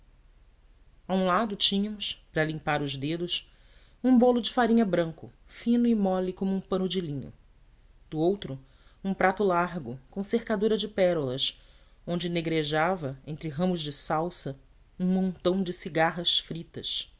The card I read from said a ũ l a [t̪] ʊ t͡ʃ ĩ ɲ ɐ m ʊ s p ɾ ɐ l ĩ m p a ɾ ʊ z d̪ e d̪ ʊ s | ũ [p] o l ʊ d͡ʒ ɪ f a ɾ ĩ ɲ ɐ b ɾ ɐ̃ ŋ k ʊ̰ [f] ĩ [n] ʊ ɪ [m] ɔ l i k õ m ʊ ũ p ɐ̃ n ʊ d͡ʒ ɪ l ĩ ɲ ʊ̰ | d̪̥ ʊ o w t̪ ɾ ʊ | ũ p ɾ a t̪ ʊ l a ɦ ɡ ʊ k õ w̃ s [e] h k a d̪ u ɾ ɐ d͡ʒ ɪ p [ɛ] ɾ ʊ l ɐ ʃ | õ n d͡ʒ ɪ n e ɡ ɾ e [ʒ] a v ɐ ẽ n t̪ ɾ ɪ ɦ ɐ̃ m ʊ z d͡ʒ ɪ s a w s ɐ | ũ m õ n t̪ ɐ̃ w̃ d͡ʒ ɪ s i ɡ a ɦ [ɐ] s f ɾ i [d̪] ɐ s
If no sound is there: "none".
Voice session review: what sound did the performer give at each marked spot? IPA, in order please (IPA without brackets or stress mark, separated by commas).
d̪, b, f, n, m, e, ɛ, ʒ, ɐ, t̪